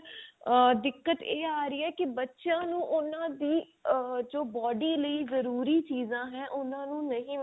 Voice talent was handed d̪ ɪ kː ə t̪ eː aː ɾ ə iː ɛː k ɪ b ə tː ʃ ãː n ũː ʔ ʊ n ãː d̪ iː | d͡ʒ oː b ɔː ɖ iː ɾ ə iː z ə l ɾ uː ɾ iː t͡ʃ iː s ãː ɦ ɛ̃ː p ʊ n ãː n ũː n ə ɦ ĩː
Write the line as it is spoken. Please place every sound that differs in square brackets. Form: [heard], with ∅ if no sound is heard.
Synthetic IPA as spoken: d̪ ɪ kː ə t̪ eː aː ɾ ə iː ɛː k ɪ b ə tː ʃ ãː n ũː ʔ ʊ n ãː d̪ iː | d͡ʒ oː b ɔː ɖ iː [l] ə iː z ə [∅] ɾ uː ɾ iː t͡ʃ iː [z] ãː ɦ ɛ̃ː [ʔ] ʊ n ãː n ũː n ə ɦ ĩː